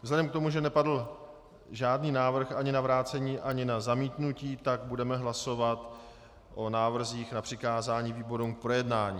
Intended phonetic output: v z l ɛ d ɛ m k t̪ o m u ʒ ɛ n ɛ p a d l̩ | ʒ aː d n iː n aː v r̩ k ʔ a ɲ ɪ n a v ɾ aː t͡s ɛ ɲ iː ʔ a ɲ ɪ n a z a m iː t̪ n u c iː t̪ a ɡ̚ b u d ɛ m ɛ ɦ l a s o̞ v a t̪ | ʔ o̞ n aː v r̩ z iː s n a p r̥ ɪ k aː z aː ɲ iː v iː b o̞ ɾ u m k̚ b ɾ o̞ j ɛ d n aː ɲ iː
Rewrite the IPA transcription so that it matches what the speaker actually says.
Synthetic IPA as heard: v z l ɛ d ɛ m k t̪ o m u ʒ ɛ n ɛ p a d l̩ | ʒ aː d n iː n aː v r̩ x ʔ a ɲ ɪ n a v ɾ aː t͡s ɛ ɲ iː ʔ a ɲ ɪ n a z a m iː t̪ n u c iː t̪ a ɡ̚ b u d ɛ m ɛ ɦ l a s o̞ v a t̪ | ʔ o̞ n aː v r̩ z iː x n a p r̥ ɪ k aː z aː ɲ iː v iː b o̞ ɾ u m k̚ p ɾ o̞ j ɛ d n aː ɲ iː

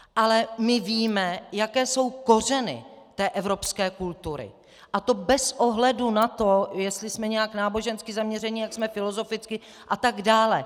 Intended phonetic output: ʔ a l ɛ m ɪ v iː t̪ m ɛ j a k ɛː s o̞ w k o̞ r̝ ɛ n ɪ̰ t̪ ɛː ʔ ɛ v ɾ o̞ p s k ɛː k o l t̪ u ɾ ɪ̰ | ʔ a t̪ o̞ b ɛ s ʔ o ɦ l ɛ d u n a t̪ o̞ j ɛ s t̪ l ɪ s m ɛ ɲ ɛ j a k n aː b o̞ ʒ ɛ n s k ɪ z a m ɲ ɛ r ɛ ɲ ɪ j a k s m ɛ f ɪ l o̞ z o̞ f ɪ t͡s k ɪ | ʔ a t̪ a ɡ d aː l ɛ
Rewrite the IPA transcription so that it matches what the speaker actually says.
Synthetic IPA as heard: ʔ a l ɛ m ɪ v iː m ɛ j a k ɛː s o̞ w k o̞ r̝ ɛ n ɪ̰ t̪ ɛː ʔ ɛ v ɾ o̞ p s k ɛː k u l t̪ u ɾ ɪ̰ | ʔ a t̪ o̞ b ɛ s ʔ o ɦ l ɛ d u n a t̪ o̞ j ɛ s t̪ l ɪ s m ɛ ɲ ɛ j a k n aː b o̞ ʒ ɛ n s k ɪ z a m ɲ ɛ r ɛ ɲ ɪ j a k s m ɛ f ɪ l o̞ z o̞ f ɪ t͡s k ɪ | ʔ a t̪ a ɡ d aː l ɛ

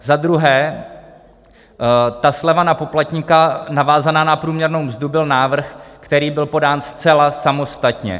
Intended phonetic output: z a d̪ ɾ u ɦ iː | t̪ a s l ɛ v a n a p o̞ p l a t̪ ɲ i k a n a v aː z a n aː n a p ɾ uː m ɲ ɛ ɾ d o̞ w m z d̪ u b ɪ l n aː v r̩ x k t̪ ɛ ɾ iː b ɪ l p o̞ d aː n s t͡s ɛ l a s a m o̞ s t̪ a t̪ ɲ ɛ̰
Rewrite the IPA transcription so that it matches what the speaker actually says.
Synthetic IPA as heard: z a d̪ ɾ u ɦ ɛː | t̪ a s l ɛ v a n a p o̞ p l a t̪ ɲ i k a n a v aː z a n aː n a p ɾ uː m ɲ ɛ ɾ n o̞ w m z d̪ u b ɪ l n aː v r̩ x k t̪ ɛ ɾ iː b ɪ l p o̞ d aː n s t͡s ɛ l a s a m o̞ s t̪ a t̪ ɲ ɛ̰

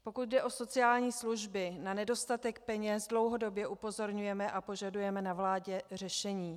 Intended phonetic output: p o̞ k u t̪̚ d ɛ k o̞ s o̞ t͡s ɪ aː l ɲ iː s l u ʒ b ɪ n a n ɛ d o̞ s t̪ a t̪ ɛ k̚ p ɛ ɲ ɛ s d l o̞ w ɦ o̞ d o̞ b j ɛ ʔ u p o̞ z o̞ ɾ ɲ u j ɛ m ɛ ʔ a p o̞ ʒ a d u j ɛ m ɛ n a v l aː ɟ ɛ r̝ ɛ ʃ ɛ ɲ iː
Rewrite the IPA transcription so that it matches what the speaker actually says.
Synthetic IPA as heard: p o̞ k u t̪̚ d ɛ ʔ o̞ s o̞ t͡s ɪ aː l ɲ iː s l u ʒ b ɪ n a n ɛ d o̞ s t̪ a t̪ ɛ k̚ p ɛ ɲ ɛ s d l o̞ w ɦ o̞ d o̞ b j ɛ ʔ u p o̞ z o̞ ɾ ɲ u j ɛ m ɛ ʔ a p o̞ ʒ a d u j ɛ m ɛ n a v l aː ɟ ɛ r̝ ɛ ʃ ɛ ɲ iː

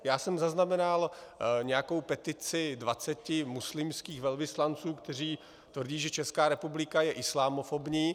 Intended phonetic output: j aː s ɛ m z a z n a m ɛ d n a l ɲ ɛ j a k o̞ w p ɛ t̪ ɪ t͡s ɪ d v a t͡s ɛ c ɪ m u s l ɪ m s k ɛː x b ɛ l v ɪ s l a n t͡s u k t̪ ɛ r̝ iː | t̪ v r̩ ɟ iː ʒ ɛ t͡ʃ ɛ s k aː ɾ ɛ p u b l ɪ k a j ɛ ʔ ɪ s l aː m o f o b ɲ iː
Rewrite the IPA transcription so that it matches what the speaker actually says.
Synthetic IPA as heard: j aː s ɛ m z a z n a m ɛ n a l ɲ ɛ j a k o̞ w p ɛ t̪ ɪ t͡s ɪ d v a t͡s ɛ c ɪ m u s l ɪ m s k iː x v ɛ l v ɪ s l a n t͡s uː k t̪ ɛ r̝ iː | t̪ v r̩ ɟ iː ʒ ɛ t͡ʃ ɛ s k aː ɾ ɛ p u b l ɪ k a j ɛ ʔ ɪ s l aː m o f o b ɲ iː

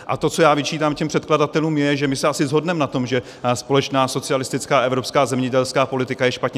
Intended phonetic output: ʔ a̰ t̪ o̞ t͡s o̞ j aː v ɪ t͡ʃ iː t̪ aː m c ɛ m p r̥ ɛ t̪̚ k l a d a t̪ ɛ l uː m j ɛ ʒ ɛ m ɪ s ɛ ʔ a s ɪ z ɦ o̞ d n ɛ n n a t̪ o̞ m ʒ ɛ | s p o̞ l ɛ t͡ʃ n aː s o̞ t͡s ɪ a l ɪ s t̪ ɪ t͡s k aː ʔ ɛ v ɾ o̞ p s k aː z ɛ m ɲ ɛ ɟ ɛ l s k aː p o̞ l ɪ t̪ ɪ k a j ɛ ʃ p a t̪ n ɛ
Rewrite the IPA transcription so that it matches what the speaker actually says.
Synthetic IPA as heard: ʔ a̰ t̪ o̞ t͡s o̞ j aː v ɪ t͡ʃ iː t̪ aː m c ɛ m p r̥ ɛ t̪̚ k l a d a t̪ ɛ l uː m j ɛ ʒ ɛ m ɪ s ɛ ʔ a s ɪ z ɦ o̞ d n ɛ m n a t̪ o̞ m ʒ ɛ | s p o̞ l ɛ t͡ʃ n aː s o̞ t͡s ɪ a l ɪ s t̪ ɪ t͡s k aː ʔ ɛ v ɾ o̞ p s k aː z ɛ m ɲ ɛ ɟ ɛ l s k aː p o̞ l ɪ t̪ ɪ k a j ɛ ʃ p a t̪ ɲ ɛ

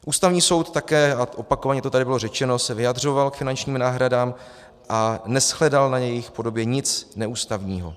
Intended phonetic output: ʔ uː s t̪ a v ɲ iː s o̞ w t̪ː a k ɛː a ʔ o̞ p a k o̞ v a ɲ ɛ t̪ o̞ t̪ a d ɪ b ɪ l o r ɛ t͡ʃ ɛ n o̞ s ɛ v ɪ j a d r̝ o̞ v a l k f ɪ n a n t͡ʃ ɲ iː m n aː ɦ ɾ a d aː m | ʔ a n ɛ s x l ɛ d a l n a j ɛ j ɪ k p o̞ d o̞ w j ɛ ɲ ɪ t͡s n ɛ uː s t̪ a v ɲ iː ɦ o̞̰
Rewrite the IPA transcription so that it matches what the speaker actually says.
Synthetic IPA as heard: ʔ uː s t̪ a v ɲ iː s o̞ w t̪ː a k ɛː a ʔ o̞ p a k o̞ v a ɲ ɛ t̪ o̞ t̪ a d ɪ b ɪ l o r ɛ t͡ʃ ɛ n o̞ s ɛ v ɪ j a d r̝ o̞ v a l k f ɪ n a n t͡ʃ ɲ iː m n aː ɦ ɾ a d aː m | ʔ a n ɛ s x l ɛ d a l n a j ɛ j ɪ x p o̞ d o̞ b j ɛ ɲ ɪ t͡s n ɛ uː s t̪ a v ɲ iː ɦ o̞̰

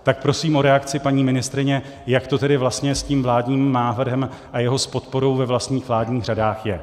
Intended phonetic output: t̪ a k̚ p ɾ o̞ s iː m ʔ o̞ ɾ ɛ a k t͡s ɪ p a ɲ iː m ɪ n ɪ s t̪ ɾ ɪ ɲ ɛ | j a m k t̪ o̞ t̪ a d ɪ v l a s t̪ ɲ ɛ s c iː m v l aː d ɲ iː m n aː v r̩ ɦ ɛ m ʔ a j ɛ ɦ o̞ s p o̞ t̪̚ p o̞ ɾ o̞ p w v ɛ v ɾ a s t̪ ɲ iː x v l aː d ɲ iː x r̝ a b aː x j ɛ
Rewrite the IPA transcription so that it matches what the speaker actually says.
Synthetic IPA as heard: t̪ a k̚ p ɾ o̞ s iː m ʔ o̞ ɾ ɛ a k t͡s ɪ p a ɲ iː m ɪ n ɪ s t̪ ɾ ɪ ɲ ɛ | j a k t̪ o̞ t̪ ɛ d ɪ v l a s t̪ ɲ ɛ s c iː m v l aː d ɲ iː m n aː v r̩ ɦ ɛ m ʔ a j ɛ ɦ o̞ s p o̞ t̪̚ p o̞ ɾ o̞ w v ɛ v l a s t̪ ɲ iː x v l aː d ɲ iː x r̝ a d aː x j ɛ

